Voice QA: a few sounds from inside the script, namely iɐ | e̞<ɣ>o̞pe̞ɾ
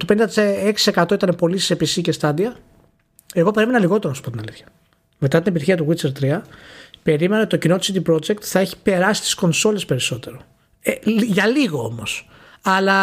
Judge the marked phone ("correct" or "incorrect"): correct